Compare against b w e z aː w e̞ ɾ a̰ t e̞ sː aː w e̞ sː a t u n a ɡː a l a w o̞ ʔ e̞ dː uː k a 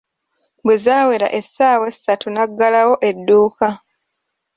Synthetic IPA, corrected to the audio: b w e z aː w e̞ ɾ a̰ ʔ e̞ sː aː w e̞ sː a t u n a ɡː a l a w o̞ ʔ e̞ dː uː k a